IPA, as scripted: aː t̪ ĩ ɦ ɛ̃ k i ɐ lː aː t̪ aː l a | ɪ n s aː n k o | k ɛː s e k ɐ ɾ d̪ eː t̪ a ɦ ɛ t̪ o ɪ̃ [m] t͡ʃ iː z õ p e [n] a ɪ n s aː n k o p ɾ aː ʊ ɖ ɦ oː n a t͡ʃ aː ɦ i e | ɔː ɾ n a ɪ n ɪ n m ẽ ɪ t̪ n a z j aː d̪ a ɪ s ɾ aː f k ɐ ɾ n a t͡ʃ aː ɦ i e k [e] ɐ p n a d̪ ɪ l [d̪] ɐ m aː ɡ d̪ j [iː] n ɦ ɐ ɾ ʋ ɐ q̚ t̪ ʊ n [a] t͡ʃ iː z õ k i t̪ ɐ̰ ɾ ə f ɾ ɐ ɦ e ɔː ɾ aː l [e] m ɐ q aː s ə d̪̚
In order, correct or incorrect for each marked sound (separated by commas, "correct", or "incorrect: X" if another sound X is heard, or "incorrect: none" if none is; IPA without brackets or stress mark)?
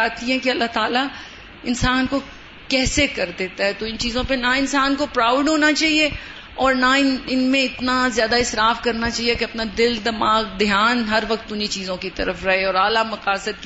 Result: incorrect: n, correct, correct, correct, incorrect: aː, incorrect: i, incorrect: a